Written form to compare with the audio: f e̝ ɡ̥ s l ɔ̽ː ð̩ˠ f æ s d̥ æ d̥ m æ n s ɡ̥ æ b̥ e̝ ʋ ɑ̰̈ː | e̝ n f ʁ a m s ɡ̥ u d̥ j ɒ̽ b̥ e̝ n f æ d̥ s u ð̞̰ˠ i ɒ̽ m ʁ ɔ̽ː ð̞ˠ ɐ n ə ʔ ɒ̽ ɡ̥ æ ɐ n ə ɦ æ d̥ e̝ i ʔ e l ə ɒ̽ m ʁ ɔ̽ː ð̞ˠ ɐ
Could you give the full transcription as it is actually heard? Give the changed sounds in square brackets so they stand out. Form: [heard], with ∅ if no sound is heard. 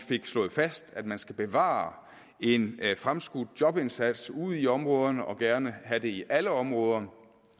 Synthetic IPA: f e̝ ɡ̥ s l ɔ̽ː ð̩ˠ f æ s d̥ æ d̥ m æ n s ɡ̥ æ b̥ e̝ ʋ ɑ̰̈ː | e̝ n f ʁ a m s ɡ̥ u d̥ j ɒ̽ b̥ e̝ n [s] æ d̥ s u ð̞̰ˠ i ɒ̽ m ʁ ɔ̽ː ð̞ˠ ɐ n ə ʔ ɒ̽ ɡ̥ æ ɐ n ə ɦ æ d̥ e̝ i ʔ [æ] l ə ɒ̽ m ʁ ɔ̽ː ð̞ˠ ɐ